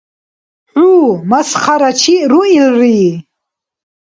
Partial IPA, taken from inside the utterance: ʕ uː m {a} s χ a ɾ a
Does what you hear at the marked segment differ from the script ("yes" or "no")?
no